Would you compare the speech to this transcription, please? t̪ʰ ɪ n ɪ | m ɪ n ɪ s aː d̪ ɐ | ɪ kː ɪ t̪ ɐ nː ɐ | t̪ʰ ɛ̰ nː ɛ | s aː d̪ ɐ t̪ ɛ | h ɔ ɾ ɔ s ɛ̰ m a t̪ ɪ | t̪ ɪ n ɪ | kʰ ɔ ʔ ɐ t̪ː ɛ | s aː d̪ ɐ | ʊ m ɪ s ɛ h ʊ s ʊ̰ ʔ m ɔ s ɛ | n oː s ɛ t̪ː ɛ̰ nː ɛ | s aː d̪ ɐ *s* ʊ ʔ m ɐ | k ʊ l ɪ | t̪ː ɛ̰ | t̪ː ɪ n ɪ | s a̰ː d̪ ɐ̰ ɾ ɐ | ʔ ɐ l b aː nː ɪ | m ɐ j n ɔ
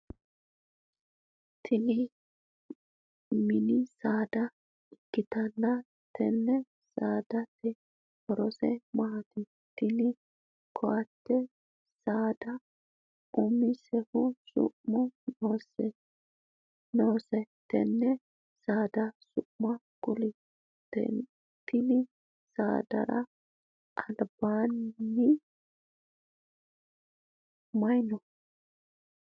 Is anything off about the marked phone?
no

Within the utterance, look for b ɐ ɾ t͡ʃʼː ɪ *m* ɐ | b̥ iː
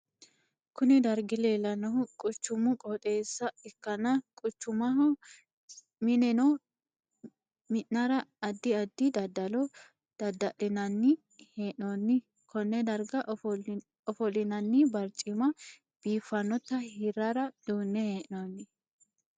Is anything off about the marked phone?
no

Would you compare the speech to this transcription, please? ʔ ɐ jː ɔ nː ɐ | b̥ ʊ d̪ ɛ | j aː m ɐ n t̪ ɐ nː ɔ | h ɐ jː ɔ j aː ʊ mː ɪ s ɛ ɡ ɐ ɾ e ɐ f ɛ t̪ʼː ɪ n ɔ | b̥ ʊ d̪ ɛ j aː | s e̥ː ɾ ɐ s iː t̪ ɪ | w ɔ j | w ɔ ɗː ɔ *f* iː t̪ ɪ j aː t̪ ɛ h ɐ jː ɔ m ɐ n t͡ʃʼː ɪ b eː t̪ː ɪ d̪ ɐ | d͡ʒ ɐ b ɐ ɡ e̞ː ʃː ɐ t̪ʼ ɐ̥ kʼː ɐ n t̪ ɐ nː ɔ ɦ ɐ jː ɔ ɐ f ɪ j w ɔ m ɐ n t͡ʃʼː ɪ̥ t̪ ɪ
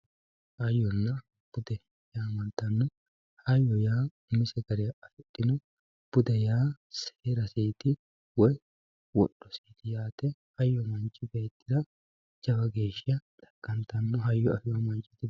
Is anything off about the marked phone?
yes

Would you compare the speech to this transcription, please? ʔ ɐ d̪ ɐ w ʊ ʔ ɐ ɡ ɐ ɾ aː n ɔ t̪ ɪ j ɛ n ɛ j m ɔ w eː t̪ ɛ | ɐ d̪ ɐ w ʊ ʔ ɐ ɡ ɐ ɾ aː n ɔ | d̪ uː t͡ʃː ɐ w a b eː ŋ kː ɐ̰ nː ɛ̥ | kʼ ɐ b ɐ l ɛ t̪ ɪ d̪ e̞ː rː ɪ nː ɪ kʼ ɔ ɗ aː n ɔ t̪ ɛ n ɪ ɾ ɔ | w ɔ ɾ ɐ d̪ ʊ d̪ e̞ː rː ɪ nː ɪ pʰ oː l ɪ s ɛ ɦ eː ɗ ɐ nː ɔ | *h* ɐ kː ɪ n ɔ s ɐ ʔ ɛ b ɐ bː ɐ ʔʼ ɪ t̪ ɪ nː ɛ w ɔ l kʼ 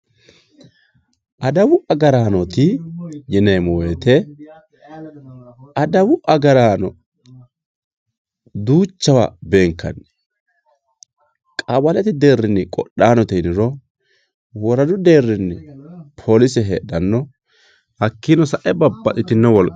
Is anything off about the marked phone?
no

